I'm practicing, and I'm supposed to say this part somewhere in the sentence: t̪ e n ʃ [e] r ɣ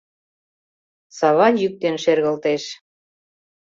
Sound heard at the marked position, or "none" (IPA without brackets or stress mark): e